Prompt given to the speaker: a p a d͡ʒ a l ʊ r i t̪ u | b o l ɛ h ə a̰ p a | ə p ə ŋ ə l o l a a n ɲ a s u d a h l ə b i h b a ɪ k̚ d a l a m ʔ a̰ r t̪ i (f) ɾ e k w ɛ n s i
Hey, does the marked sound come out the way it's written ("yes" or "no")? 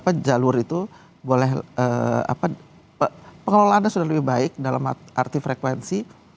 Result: yes